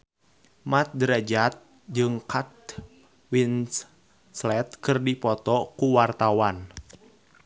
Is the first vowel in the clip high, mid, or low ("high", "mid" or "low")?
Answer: low